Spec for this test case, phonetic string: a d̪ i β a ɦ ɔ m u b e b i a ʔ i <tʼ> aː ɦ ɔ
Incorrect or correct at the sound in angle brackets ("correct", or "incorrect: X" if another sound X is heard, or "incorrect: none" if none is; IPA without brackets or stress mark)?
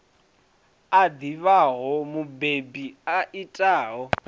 correct